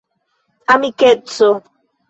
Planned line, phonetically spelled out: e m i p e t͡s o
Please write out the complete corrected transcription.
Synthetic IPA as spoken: a m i k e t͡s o